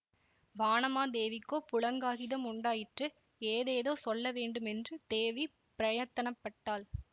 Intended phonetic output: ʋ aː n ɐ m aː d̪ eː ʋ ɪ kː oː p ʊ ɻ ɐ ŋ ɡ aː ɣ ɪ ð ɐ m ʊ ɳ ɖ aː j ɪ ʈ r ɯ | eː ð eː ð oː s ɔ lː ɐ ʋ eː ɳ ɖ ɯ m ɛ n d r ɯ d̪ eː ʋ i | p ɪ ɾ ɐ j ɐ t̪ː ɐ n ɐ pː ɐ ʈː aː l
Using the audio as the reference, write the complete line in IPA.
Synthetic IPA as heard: ʋ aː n ɐ m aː d̪ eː ʋ ɪ kː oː p ʊ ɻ ɐ ŋ ɡ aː ɣ ɪ ð ɐ m ʊ ɳ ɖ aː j ɪ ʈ r ɯ | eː ð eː ð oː s ɔ lː ɐ ʋ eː ɳ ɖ ɯ m ɛ n d r ɯ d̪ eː ʋ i | p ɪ ɾ ɐ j ɐ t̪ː ɐ n ɐ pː ɐ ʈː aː l